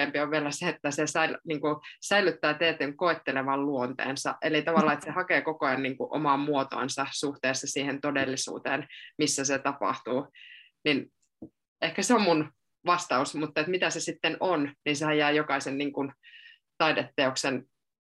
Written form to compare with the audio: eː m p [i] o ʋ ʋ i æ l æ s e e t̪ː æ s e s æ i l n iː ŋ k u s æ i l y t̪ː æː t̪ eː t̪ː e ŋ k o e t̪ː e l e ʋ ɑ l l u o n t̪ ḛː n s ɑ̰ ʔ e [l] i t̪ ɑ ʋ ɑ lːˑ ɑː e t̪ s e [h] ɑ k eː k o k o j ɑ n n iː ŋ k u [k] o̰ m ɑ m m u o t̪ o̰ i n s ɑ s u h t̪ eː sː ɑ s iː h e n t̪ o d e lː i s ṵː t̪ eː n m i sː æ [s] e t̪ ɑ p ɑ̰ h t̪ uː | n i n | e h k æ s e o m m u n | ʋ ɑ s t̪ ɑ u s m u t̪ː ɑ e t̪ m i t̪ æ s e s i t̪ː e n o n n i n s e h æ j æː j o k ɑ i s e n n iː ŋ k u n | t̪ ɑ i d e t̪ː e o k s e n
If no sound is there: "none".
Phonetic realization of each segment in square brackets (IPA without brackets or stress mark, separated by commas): i, l, h, ʔ, s